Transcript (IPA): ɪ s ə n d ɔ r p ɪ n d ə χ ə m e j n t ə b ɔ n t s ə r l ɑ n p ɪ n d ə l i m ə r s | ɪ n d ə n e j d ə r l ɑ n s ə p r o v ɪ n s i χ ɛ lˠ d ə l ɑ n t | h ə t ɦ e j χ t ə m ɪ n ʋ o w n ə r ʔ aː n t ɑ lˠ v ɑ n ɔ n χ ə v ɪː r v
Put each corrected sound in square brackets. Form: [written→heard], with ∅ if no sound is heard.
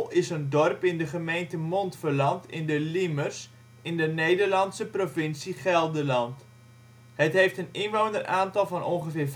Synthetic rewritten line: ɪ s ə n d ɔ r p ɪ n d ə χ ə m e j n t ə [b→m] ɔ n t [s→f] ə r l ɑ n [p→t] ɪ n d ə l i m ə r s | ɪ n d ə n e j d ə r l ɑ n s ə p r o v ɪ n s i χ ɛ lˠ d ə l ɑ n t | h ə t ɦ e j [χ→f] t ə [m→n] ɪ n ʋ o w n ə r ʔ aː n t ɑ lˠ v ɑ n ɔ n χ ə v ɪː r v